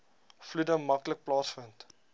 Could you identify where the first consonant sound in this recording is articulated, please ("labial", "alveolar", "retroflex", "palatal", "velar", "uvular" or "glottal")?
labial